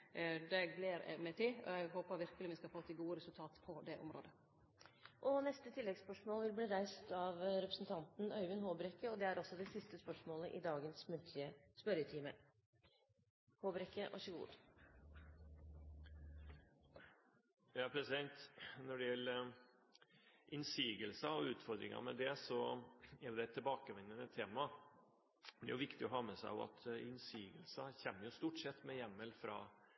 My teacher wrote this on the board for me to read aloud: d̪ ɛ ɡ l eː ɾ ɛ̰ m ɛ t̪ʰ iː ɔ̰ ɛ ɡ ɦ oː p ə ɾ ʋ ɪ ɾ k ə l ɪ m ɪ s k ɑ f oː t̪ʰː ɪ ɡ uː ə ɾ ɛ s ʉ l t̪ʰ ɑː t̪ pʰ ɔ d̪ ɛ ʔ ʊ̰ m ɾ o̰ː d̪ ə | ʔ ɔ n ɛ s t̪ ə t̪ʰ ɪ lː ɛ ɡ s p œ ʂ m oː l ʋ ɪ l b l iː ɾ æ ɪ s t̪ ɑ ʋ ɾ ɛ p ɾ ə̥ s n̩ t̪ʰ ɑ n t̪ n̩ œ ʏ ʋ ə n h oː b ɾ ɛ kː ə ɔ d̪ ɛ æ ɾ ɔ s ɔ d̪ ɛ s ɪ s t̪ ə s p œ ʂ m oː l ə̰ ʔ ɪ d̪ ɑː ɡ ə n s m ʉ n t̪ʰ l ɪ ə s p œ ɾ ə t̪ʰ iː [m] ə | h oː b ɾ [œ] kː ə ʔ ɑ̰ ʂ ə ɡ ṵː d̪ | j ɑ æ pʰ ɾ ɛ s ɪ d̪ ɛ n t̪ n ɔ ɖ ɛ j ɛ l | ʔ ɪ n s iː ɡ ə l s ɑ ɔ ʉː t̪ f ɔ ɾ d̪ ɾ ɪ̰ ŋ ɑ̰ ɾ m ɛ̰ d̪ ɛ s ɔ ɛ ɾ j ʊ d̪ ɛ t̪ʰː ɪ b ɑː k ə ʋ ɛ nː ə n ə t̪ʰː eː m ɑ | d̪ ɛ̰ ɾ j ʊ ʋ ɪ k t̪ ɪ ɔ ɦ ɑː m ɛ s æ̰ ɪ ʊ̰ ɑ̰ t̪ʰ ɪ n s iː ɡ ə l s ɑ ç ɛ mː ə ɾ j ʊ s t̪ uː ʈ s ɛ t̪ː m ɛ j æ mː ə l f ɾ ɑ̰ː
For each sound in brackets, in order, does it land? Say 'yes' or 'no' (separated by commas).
yes, no